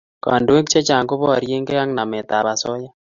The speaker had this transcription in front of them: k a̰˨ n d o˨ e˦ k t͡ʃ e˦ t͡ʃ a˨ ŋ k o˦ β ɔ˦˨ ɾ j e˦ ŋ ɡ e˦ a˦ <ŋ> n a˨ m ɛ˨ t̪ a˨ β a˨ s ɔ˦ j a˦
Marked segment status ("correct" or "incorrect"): correct